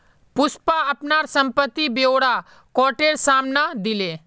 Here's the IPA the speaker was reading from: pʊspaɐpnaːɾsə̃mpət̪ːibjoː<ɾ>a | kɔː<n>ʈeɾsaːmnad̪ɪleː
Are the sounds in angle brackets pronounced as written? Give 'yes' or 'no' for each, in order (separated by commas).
no, no